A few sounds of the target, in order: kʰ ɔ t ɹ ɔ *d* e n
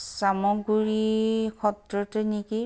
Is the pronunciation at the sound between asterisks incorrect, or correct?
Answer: incorrect